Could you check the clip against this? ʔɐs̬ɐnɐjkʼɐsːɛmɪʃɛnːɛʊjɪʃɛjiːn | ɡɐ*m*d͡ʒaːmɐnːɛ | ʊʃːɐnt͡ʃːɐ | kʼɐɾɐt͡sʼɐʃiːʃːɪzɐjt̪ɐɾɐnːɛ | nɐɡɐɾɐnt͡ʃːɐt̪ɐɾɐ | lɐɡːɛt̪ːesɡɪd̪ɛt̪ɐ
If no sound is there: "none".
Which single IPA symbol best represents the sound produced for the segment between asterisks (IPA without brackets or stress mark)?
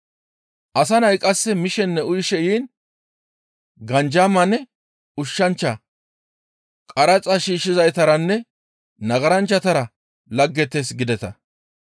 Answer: n